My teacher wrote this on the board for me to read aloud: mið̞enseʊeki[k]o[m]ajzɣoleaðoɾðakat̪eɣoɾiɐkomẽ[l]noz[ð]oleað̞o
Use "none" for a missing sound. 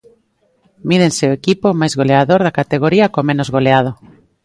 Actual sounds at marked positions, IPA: p, m, none, ɣ

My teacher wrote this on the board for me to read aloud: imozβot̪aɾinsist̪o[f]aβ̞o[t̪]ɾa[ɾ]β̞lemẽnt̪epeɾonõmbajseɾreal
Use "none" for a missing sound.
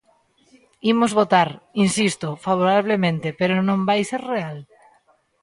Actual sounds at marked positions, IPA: f, none, none

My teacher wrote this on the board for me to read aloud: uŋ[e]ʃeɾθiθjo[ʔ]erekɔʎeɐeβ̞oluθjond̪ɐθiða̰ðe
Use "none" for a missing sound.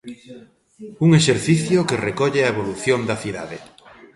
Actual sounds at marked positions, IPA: e, k

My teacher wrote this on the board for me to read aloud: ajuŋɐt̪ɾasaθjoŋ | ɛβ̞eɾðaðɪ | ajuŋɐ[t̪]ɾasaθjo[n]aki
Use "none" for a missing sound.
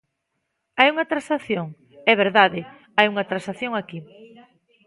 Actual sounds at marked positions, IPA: t̪, ŋ

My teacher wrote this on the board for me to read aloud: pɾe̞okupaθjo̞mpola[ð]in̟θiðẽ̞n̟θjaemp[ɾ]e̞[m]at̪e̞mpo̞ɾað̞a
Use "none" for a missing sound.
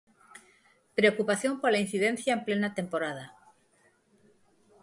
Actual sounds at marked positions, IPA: none, l, n

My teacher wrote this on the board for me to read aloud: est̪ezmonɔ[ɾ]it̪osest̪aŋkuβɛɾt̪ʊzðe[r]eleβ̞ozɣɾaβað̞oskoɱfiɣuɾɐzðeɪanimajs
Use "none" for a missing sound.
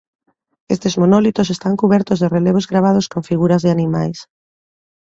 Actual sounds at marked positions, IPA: l, r

